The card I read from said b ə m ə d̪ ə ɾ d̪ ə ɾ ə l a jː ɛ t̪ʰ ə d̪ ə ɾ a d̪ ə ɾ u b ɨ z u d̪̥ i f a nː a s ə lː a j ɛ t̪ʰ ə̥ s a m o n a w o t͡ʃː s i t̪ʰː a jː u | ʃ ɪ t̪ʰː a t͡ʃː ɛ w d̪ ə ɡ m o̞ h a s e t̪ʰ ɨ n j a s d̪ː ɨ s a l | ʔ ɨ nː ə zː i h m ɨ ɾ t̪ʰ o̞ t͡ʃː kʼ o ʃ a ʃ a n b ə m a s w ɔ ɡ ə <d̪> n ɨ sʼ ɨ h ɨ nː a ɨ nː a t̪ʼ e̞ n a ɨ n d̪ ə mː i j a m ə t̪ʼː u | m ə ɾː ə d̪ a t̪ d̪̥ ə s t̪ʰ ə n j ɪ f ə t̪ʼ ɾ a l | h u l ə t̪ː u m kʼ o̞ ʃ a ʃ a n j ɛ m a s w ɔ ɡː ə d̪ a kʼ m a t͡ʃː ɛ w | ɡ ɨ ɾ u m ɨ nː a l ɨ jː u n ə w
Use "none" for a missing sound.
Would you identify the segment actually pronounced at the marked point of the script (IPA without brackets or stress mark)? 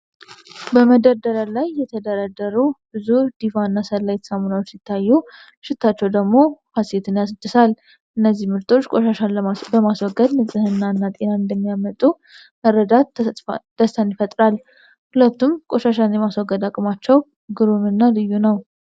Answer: d̪